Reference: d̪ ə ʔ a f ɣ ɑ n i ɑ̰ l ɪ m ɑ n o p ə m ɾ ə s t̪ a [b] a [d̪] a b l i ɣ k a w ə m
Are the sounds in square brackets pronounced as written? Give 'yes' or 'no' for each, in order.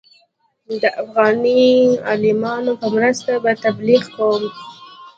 yes, no

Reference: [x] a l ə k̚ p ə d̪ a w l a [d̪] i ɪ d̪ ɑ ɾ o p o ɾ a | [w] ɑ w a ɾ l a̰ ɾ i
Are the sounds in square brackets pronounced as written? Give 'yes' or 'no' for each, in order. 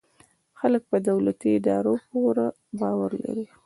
yes, no, no

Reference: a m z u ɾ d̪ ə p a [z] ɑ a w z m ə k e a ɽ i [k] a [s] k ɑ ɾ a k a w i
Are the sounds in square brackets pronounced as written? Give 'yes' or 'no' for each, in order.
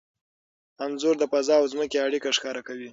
yes, yes, no

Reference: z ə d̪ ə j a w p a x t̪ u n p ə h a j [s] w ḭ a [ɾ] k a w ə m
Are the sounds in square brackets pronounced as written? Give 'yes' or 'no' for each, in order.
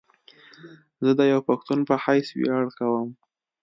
yes, no

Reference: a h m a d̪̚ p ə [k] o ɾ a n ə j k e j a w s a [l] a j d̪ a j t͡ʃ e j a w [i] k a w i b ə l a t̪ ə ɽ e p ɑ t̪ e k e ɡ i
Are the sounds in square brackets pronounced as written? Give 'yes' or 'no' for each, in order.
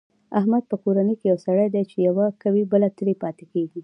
yes, no, no

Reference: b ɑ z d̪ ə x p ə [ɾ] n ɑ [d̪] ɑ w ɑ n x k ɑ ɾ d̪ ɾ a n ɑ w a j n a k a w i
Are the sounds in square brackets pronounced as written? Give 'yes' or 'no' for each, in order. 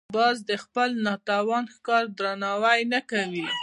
no, no

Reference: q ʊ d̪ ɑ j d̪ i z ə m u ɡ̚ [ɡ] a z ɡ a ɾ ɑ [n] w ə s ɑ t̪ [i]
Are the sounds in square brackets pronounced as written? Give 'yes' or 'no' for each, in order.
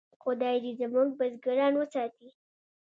no, yes, yes

